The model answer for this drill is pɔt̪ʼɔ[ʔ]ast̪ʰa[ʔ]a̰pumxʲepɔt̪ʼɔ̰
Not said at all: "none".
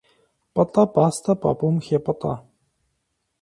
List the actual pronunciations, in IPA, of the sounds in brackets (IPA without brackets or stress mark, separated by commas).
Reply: p, p